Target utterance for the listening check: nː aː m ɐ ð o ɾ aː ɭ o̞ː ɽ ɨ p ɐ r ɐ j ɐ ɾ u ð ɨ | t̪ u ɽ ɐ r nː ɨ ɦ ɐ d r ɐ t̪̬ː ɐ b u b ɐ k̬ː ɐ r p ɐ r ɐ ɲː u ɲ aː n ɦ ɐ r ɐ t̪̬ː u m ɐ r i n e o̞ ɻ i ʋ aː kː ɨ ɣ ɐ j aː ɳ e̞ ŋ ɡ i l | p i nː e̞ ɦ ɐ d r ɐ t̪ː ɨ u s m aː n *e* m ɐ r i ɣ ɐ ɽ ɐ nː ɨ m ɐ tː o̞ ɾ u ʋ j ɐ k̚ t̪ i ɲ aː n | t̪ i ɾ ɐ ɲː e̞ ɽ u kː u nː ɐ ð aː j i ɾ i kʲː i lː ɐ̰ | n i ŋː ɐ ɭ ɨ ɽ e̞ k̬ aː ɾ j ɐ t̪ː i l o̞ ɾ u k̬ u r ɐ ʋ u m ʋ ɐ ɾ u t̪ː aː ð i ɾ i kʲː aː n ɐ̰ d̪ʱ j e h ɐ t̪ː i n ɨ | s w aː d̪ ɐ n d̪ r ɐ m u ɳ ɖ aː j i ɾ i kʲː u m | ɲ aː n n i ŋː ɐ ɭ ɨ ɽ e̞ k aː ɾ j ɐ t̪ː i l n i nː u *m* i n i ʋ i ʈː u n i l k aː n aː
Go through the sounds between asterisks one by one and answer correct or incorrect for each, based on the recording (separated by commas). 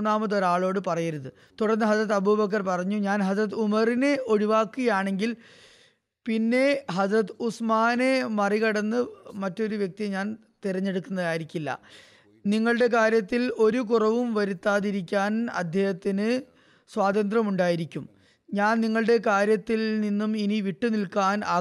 correct, correct